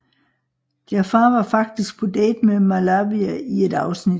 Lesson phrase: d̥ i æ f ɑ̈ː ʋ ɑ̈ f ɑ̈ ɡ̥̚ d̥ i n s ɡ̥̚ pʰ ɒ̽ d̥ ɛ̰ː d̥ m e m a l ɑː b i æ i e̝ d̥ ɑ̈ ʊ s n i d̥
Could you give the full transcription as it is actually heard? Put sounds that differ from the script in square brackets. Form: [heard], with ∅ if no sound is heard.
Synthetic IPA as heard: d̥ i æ f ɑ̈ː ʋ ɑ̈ f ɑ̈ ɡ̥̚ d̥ i [∅] s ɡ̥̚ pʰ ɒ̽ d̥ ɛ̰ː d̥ m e m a l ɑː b i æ i e̝ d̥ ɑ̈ ʊ s n i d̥